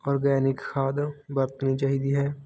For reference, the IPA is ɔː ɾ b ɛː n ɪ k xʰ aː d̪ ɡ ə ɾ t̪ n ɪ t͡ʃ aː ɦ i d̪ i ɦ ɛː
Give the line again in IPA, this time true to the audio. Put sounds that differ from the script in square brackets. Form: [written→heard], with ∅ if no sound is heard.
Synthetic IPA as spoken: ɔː ɾ [b→ɡ] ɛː n ɪ k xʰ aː d̪ [ɡ→b] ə ɾ t̪ n [ɪ→i] t͡ʃ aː ɦ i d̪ i ɦ ɛː